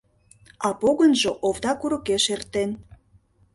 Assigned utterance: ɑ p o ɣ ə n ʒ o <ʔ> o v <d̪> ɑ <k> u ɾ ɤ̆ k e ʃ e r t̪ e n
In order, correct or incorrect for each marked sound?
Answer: correct, correct, correct

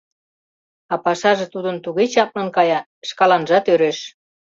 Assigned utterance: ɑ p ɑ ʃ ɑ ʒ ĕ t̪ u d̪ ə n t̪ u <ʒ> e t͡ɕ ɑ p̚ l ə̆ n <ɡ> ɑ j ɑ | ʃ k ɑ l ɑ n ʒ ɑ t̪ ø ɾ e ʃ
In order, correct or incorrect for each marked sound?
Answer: incorrect, incorrect

